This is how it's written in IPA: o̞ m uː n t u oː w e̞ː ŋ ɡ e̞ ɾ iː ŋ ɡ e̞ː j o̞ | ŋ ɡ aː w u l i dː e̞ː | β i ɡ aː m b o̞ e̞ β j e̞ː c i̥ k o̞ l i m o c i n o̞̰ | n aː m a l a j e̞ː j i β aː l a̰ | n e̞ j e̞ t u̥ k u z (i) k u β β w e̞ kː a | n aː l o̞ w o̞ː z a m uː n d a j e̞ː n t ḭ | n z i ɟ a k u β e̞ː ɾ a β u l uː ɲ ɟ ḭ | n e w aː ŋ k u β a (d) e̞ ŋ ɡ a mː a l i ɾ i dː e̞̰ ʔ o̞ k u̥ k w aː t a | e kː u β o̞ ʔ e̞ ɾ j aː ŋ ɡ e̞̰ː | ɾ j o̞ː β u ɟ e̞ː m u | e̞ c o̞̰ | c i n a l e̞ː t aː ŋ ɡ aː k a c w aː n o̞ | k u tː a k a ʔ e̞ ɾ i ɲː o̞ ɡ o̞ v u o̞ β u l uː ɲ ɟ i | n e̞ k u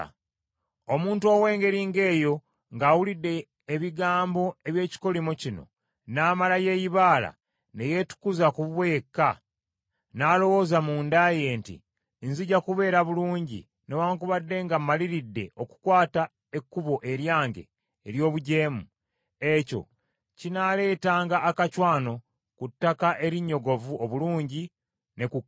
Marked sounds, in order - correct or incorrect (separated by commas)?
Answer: incorrect, incorrect